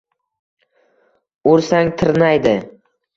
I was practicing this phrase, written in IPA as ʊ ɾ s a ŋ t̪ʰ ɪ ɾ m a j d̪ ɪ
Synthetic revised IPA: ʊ ɾ s a ŋ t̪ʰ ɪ ɾ n a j d̪ ɪ